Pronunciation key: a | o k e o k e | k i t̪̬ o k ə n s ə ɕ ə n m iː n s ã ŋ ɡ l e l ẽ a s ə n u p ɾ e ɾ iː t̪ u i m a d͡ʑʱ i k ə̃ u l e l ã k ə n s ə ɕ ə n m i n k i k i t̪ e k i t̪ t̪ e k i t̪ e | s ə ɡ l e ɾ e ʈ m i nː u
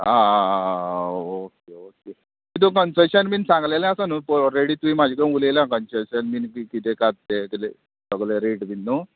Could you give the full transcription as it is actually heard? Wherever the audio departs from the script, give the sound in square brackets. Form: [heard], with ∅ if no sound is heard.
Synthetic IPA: a | o k e o k e | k i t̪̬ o k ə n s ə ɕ ə n m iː n s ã ŋ ɡ l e l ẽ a s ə n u p ɾ e [ɽ] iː t̪ u i m a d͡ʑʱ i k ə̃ u l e l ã k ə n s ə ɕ ə n m i n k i k i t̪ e k [a] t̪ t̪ e k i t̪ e | s ə ɡ l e ɾ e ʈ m i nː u